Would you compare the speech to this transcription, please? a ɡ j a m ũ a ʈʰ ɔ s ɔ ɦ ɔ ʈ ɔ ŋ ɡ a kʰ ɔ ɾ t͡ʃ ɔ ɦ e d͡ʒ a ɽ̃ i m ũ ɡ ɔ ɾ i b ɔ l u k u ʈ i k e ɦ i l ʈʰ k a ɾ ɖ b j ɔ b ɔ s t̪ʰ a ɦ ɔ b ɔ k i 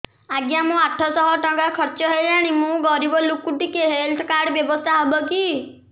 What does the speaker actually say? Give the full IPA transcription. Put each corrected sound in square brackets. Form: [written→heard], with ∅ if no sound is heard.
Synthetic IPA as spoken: a ɡ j a m ũ a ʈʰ ɔ s ɔ ɦ ɔ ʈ ɔ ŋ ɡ a kʰ ɔ ɾ t͡ʃ ɔ ɦ e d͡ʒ a ɽ̃ i m ũ ɡ ɔ ɾ i b ɔ l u k u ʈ i k e ɦ [i→e] l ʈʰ k a ɾ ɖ b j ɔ b ɔ s t̪ʰ a ɦ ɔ b ɔ k i